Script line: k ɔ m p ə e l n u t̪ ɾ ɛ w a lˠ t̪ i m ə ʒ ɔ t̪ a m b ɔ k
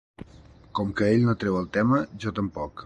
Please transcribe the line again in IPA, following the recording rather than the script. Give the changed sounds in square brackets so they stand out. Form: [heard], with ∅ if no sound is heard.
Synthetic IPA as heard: k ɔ m [k] ə e [ʎ] n [o] t̪ ɾ ɛ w [ə] lˠ t̪ [ɛ] m ə ʒ ɔ t̪ [ə] m [p] ɔ k